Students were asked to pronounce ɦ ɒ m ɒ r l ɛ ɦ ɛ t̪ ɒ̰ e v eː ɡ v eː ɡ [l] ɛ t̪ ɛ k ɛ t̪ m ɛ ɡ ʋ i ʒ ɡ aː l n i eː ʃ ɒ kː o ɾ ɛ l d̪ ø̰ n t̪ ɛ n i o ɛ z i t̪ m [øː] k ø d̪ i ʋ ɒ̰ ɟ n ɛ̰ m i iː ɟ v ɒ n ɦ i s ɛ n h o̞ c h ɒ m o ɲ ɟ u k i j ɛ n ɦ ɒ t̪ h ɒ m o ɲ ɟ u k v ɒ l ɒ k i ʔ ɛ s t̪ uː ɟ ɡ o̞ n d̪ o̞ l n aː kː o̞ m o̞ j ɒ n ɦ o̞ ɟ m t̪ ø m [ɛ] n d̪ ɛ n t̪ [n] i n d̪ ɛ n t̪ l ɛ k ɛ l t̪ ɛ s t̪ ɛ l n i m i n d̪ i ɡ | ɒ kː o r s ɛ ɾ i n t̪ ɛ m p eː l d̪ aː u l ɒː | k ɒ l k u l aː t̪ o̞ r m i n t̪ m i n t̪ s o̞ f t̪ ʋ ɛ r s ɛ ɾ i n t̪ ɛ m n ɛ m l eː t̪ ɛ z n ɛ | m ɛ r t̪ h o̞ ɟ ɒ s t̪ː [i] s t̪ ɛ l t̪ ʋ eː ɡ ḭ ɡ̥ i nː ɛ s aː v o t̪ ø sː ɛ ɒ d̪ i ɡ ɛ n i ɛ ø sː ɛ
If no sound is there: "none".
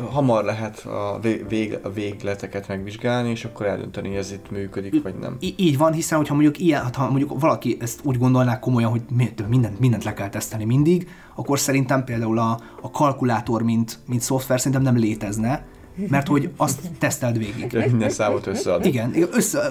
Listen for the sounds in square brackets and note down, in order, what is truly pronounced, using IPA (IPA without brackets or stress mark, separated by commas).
l, yː, i, m, ɛ